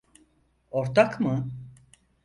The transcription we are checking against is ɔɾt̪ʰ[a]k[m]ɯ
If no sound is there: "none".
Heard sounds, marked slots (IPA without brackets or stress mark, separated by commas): a, m